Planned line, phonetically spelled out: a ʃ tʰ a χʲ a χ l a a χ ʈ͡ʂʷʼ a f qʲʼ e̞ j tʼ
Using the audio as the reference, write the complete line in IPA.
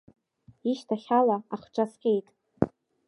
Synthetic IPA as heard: i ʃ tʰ a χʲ a l a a χ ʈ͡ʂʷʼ a s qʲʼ e̞ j tʼ